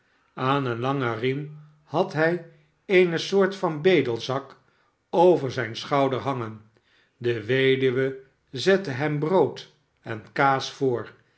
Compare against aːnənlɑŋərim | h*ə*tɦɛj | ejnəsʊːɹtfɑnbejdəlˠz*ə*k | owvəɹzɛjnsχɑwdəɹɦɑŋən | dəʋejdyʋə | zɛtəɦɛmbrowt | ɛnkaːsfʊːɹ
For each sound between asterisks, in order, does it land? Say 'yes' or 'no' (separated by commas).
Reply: no, no